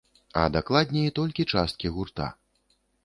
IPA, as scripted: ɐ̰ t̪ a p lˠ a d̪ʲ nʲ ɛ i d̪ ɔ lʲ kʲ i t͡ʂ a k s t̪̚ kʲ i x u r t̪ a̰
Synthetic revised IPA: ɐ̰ d̪ a k lˠ a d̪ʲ nʲ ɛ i t̪ ɔ lʲ kʲ i t͡ʂ a s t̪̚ kʲ i ɣ u r t̪ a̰